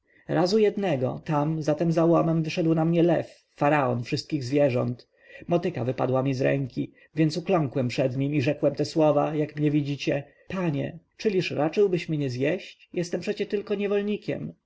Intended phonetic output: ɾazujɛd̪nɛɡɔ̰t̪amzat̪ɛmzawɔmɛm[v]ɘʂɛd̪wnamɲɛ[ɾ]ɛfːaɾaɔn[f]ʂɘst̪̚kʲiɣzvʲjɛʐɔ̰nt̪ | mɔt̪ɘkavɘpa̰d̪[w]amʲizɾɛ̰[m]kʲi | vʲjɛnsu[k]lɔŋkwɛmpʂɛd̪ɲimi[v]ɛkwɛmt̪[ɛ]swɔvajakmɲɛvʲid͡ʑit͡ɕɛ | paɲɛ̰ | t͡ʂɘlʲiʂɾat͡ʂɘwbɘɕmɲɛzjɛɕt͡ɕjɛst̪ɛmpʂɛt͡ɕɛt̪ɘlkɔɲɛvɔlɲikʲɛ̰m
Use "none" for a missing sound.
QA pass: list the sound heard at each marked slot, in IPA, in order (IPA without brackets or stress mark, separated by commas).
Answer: v, l, f, w, ŋ, k, ʐ, ɛ